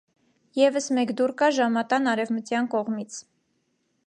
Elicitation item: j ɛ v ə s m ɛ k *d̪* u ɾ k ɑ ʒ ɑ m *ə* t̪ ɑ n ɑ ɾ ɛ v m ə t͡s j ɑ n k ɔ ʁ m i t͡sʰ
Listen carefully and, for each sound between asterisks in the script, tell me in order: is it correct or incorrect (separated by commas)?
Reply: correct, incorrect